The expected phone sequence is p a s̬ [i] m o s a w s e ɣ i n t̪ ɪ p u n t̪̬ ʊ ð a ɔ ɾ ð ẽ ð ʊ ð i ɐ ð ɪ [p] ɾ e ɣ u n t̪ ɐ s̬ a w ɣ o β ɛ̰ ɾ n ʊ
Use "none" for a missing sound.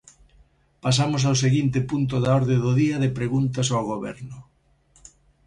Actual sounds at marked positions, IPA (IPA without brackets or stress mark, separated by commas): a, p